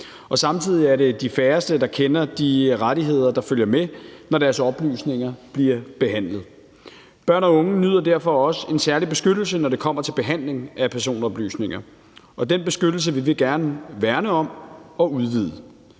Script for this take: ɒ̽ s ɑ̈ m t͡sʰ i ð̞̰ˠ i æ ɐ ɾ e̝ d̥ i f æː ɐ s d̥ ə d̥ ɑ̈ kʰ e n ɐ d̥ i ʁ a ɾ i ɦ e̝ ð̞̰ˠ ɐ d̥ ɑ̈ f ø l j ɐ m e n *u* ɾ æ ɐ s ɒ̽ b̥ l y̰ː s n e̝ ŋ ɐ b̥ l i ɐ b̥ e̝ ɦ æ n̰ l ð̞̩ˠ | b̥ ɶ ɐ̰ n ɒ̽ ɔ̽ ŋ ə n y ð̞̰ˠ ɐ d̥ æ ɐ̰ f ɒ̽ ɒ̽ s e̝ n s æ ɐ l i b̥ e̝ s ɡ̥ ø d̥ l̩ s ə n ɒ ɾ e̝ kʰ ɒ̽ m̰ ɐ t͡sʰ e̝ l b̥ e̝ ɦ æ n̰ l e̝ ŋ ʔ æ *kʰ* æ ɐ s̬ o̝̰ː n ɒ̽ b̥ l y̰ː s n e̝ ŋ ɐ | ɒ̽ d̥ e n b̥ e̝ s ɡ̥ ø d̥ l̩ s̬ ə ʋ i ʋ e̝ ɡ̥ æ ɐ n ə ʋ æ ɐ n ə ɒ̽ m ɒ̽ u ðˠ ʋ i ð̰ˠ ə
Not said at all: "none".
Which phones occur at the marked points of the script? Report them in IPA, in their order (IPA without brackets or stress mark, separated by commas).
ɒ, pʰ